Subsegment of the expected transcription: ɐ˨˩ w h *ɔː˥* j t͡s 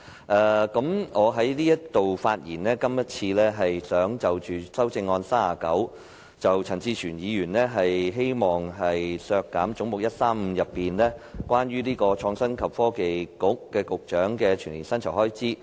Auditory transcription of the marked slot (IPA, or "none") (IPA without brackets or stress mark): ɔː˥